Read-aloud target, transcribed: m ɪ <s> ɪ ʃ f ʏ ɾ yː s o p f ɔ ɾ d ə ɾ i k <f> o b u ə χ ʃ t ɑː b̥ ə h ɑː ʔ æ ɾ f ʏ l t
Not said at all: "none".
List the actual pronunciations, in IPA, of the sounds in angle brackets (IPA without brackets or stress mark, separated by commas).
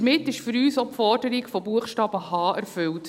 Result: t, f